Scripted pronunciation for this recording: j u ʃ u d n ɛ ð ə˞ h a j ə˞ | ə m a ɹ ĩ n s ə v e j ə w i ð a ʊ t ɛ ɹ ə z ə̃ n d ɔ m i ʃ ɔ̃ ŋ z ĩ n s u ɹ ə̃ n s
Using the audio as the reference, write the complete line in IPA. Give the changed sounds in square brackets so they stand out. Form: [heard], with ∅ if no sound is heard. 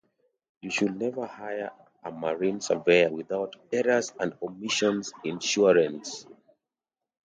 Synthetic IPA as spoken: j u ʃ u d n ɛ [v] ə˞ h a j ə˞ | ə m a ɹ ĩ n s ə v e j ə w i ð a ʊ t ɛ ɹ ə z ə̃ n d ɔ m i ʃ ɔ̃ [n] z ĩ n [ʃ] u ɹ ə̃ n s